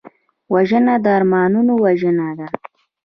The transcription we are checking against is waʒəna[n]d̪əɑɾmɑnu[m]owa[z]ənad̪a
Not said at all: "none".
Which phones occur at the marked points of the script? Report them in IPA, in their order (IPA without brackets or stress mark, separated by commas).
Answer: none, n, ʒ